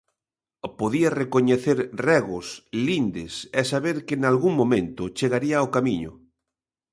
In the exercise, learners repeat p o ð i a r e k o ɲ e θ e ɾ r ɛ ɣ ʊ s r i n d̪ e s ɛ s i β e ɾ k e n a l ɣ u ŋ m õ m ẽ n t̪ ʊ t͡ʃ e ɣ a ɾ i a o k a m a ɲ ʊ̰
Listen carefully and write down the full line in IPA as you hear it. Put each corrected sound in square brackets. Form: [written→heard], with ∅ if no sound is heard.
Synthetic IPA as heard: p o ð i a r e k o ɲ e θ e ɾ r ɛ ɣ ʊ s [r→l] i n d̪ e s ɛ s [i→a] β e ɾ k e n a l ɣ u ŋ m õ m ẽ n t̪ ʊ t͡ʃ e ɣ a ɾ i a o k a m [a→i] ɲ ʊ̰

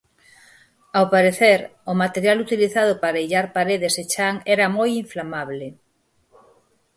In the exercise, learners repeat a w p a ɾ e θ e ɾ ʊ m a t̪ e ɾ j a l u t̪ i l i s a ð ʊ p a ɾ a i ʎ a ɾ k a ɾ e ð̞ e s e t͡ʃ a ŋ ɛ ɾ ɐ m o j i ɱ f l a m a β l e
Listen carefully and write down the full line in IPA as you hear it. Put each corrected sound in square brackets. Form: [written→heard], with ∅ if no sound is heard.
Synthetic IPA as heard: a w p a ɾ e θ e ɾ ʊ m a t̪ e ɾ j a l u t̪ i l i [s→θ] a ð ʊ p a ɾ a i ʎ a ɾ [k→p] a ɾ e ð̞ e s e t͡ʃ a ŋ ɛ ɾ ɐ m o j i ɱ f l a m a β l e

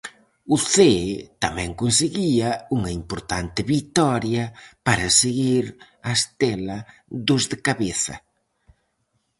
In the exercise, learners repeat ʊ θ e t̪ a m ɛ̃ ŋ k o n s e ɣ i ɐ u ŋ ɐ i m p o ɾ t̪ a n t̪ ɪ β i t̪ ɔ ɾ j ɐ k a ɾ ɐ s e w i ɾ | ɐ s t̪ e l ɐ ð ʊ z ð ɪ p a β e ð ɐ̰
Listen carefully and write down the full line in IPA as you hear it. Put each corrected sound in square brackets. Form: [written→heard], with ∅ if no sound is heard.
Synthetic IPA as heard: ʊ θ e t̪ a m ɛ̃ ŋ k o n s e ɣ i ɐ u ŋ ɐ i m p o ɾ t̪ a n t̪ ɪ β i t̪ ɔ ɾ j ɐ [k→p] a ɾ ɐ s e [w→ɣ] i ɾ | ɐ s t̪ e l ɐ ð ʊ z ð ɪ [p→k] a β e [ð→θ] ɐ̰

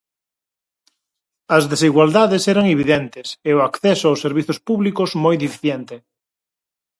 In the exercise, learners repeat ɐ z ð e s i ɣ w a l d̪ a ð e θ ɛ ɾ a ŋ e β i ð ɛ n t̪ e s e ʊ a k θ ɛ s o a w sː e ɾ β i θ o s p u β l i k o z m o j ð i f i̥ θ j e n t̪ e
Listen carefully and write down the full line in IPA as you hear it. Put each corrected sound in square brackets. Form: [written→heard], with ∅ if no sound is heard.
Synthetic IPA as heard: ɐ z ð e s i ɣ w a l d̪ a ð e [θ→s] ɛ ɾ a ŋ e β i ð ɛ n t̪ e s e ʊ a k θ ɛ s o a w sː e ɾ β i θ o s p u β l i k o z m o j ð i f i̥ θ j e n t̪ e

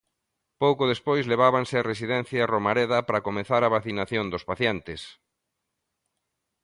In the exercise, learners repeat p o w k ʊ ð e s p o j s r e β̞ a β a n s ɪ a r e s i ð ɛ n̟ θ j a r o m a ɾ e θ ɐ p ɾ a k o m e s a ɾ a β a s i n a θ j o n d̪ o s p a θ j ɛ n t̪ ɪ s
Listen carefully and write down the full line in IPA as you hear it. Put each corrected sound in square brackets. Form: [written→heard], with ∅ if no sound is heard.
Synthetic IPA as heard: p o w k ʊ ð e s p o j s [r→l] e β̞ a β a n s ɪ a r e s i ð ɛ n̟ θ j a r o m a ɾ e [θ→ð] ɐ p ɾ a k o m e [s→θ] a ɾ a β a [s→θ] i n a θ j o n d̪ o s p a θ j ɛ n t̪ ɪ s

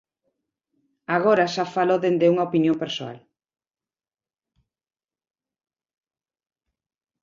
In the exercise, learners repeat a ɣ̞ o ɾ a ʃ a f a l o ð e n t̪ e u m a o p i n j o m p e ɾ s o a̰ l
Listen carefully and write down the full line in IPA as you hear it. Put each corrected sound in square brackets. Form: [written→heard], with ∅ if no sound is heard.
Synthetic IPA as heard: a ɣ̞ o ɾ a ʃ a f a l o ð e n [t̪→d̪] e u [m→ŋ] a o p i n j o m p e ɾ s o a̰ l

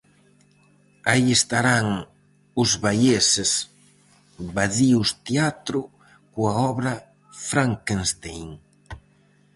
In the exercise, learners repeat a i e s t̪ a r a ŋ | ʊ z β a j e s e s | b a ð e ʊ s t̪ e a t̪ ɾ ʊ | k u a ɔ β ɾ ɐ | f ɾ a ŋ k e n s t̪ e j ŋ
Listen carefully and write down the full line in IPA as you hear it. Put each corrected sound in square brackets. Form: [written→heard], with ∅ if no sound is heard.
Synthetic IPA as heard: a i e s t̪ a [r→ɾ] a ŋ | ʊ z β a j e s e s | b a ð [e→i] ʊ s t̪ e a t̪ ɾ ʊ | k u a ɔ β ɾ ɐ | f ɾ a ŋ k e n s t̪ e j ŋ

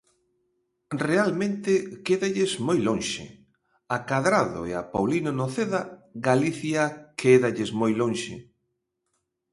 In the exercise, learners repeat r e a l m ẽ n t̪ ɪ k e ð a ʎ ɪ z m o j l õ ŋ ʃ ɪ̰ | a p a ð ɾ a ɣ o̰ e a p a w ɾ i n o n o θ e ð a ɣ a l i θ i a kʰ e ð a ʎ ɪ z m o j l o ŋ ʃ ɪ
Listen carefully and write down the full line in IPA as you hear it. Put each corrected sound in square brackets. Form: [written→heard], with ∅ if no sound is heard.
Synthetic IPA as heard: r e a l m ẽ n t̪ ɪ k e ð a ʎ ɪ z m o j l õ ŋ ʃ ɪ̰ | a [p→k] a ð ɾ a [ɣ→ð] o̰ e a p a w [ɾ→l] i n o n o θ e ð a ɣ a l i θ [i→j] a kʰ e ð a ʎ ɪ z m o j l o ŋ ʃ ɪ

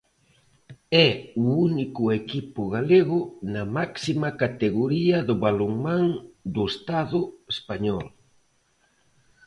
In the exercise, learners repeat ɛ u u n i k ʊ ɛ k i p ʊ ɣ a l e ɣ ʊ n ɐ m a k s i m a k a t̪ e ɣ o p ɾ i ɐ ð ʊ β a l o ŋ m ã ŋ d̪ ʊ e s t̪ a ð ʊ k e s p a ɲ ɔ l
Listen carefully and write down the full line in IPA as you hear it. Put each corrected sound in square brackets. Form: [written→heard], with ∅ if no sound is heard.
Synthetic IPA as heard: ɛ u u n i k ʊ [ɛ→e] k i p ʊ ɣ a l e ɣ ʊ n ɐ m a k s i m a k a t̪ e ɣ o [p→∅] ɾ i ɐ ð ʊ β a l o ŋ m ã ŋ d̪ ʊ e s t̪ a ð ʊ [k→∅] e s p a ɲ ɔ l

